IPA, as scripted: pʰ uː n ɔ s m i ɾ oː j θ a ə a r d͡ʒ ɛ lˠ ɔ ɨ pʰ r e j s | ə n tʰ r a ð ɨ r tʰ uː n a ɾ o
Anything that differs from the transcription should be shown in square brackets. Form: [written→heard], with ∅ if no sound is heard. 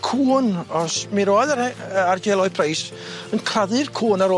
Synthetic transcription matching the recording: [pʰ→kʰ] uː n ɔ s m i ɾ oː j [θ→ð] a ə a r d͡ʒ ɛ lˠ ɔ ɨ pʰ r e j s | ə n [tʰ→kʰ] r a ð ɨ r [tʰ→kʰ] uː n a ɾ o

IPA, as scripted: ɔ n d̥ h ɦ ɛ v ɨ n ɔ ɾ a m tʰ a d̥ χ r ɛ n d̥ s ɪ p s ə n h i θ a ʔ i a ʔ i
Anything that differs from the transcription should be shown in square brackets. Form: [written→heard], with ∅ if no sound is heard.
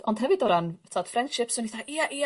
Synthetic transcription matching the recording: ɔ n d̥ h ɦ ɛ v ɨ [n→d] ɔ ɾ a [m→n] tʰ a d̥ [χ→f] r ɛ n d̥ [s→ʃ] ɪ p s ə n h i θ a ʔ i a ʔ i

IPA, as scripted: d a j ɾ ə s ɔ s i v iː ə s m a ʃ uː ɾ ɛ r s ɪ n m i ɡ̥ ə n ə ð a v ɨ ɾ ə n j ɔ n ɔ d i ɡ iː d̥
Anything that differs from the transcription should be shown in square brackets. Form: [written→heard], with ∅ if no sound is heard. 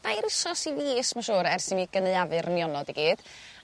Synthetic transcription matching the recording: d a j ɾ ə s ɔ s i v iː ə s m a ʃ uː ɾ ɛ r s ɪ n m i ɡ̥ ə n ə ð a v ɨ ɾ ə n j ɔ n ɔ d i ɡ iː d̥

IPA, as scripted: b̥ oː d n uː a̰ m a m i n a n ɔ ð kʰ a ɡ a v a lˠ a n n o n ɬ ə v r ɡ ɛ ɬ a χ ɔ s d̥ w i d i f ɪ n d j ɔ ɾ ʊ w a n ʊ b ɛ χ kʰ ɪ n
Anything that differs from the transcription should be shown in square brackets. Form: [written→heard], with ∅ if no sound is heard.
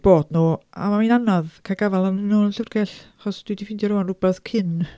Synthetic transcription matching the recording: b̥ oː d n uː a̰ m a m i n a n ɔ ð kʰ a ɡ a v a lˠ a n n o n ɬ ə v r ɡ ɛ ɬ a χ ɔ s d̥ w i d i f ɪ n d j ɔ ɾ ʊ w a n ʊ b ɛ [χ→θ] kʰ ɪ n

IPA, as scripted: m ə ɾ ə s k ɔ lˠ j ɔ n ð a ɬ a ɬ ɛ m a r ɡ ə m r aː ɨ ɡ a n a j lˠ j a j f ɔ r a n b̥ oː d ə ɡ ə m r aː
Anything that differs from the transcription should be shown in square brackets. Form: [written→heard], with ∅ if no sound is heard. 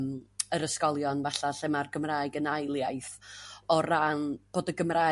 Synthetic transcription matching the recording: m ə ɾ ə s k ɔ lˠ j ɔ n [ð→v] a ɬ a ɬ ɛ m a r ɡ ə m r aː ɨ ɡ [a→ə] n a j lˠ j a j [f→θ] ɔ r a n b̥ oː d ə ɡ ə m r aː

